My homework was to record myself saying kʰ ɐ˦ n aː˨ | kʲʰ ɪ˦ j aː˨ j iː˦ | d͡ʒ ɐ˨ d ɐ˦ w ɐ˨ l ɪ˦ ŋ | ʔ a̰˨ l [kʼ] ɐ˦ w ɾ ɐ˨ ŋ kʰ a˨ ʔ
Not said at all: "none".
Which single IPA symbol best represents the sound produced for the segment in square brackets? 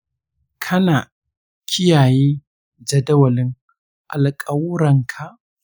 kʼ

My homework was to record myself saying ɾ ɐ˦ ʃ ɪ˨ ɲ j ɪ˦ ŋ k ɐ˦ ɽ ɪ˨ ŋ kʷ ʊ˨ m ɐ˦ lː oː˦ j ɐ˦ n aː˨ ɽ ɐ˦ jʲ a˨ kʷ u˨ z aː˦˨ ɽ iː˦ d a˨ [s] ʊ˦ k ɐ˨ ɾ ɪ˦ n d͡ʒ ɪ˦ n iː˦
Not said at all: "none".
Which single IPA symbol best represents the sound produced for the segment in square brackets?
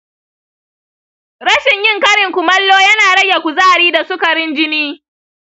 s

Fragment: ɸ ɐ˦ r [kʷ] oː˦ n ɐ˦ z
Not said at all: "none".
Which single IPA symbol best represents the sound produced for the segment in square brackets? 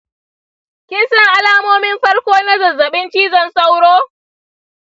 kʷ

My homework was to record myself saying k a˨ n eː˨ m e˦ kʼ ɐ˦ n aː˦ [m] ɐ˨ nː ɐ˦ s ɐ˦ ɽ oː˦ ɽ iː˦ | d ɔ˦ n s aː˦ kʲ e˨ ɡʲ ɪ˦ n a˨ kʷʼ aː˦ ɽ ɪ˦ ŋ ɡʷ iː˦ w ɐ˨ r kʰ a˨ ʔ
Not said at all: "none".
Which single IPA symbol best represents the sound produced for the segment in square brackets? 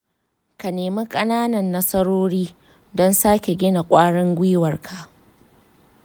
n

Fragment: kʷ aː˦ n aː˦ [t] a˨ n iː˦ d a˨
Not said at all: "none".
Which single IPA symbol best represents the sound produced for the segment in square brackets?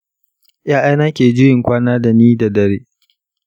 d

